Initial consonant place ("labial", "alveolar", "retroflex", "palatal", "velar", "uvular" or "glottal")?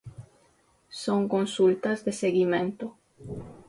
alveolar